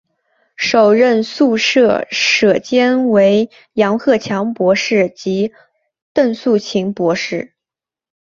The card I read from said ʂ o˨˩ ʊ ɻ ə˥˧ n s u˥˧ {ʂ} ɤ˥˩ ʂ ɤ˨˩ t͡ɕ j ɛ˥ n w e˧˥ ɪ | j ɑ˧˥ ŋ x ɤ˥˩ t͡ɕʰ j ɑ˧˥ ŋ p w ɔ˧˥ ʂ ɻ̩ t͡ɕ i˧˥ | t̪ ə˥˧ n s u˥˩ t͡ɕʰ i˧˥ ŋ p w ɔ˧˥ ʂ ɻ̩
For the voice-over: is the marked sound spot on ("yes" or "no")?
yes